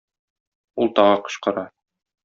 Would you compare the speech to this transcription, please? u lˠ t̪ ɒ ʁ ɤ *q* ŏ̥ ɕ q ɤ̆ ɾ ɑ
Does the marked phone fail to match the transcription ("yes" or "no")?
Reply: no